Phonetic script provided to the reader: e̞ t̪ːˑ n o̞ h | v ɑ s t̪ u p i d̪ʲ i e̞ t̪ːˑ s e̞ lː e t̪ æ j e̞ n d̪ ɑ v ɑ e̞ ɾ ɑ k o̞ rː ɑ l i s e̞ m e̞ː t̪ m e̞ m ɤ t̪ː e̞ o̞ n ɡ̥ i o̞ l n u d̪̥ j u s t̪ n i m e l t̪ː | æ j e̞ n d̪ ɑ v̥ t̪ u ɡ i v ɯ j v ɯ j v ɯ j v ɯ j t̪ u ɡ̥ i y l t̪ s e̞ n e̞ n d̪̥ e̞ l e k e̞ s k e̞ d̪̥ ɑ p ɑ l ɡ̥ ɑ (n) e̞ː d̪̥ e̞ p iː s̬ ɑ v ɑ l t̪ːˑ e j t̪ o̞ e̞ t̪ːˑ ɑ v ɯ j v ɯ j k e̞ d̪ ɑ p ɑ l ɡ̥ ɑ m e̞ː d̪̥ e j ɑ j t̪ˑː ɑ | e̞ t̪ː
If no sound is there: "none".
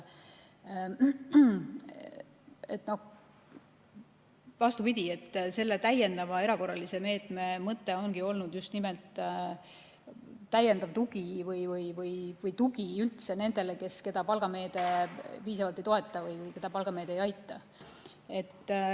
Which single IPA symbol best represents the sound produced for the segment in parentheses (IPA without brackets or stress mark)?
m